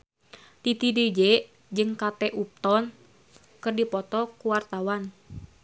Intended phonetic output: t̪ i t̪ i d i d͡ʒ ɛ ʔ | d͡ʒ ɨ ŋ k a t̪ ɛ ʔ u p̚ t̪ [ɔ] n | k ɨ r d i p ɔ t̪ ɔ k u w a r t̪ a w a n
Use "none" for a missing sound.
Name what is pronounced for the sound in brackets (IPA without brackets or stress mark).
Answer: ɔ